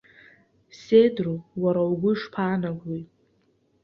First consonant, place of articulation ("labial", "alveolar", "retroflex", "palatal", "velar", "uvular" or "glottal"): alveolar